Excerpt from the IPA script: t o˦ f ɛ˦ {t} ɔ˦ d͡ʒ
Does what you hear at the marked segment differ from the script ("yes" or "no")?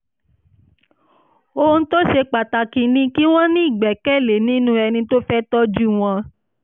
no